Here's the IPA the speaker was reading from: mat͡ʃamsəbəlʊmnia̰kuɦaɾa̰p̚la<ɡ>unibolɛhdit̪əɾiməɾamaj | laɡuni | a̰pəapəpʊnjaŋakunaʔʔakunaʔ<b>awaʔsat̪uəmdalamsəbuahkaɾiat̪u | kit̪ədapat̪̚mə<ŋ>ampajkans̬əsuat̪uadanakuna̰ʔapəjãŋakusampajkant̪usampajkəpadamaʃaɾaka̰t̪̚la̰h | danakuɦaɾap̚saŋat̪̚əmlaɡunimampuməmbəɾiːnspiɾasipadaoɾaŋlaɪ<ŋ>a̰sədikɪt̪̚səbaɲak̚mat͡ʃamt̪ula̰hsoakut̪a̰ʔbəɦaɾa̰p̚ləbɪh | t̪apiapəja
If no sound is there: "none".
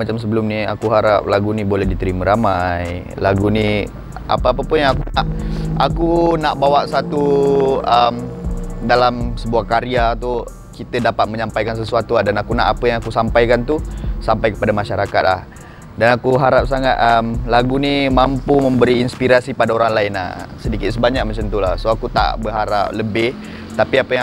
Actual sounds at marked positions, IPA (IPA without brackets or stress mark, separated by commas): ɡ, b, ɲ, n